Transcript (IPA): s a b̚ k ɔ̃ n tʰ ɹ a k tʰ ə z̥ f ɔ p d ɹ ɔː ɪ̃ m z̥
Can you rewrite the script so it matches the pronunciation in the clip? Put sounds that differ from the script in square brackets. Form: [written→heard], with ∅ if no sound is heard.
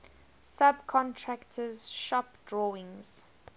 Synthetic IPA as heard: s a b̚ [k→kʰ] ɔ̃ n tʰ ɹ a k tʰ ə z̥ [f→ʃ] ɔ p d ɹ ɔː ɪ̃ [m→ŋ] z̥